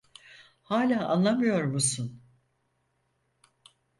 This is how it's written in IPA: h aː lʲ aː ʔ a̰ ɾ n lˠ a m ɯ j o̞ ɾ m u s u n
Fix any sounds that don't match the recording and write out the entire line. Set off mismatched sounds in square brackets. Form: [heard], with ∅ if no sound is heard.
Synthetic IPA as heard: h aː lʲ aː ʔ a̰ [∅] n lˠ a m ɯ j o̞ ɾ m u s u n